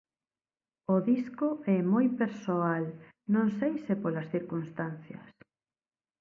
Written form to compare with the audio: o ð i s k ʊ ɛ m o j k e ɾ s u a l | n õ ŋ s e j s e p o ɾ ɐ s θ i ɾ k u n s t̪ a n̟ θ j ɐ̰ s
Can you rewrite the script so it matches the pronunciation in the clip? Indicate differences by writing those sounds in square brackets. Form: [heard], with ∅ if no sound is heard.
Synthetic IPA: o ð i s k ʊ ɛ m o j [p] e ɾ s [o] a l | n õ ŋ s e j s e p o [l] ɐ s θ i ɾ k u n s t̪ a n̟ θ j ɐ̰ s